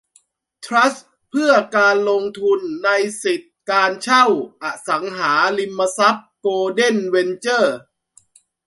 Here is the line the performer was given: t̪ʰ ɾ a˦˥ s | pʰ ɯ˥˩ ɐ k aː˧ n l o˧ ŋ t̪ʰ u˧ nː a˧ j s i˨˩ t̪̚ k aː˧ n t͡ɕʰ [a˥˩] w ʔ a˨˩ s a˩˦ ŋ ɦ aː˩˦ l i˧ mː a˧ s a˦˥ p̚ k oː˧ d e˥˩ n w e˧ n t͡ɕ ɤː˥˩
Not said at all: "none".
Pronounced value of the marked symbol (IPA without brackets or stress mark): a˥˩